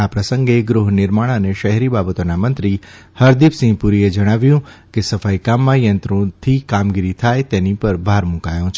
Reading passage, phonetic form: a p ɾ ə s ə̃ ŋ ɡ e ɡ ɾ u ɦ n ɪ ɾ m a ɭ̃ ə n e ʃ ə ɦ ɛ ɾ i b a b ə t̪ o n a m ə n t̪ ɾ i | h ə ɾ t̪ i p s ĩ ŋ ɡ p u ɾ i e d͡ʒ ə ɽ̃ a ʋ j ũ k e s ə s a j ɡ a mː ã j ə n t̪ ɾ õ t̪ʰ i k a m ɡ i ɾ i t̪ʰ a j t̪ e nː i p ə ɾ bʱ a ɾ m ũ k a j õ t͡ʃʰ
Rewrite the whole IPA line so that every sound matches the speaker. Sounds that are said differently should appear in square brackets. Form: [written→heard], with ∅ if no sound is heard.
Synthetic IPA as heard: a p ɾ ə s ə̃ ŋ ɡ e ɡ ɾ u ɦ n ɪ ɾ m a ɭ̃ ə n e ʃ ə ɦ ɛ ɾ i b a b ə t̪ o n a m ə n t̪ ɾ i | h ə ɾ [t̪→d̪] i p s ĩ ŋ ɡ p u ɾ i e d͡ʒ ə ɽ̃ a ʋ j ũ k e s ə [s→f] a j [ɡ→k] a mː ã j ə n t̪ ɾ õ t̪ʰ i k a m ɡ i ɾ i t̪ʰ a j t̪ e [nː→n] i p ə ɾ bʱ a ɾ m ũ k a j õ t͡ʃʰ